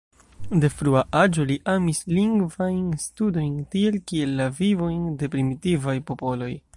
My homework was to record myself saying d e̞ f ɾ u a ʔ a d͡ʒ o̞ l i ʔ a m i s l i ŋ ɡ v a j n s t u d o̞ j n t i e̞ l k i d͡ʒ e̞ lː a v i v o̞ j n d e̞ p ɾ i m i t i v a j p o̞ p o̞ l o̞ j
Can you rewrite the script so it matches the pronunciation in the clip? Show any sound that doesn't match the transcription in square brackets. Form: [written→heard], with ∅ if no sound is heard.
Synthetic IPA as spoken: d e̞ f ɾ u a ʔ a d͡ʒ o̞ l i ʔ a m i s l i ŋ ɡ v a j n s t u d o̞ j n t i e̞ l k i [d͡ʒ→∅] e̞ lː a v i v o̞ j n d e̞ p ɾ i m i t i v a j p o̞ p o̞ l o̞ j